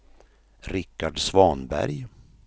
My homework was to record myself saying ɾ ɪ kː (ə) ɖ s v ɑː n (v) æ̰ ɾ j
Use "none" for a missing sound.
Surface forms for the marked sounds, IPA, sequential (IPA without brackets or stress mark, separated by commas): a, b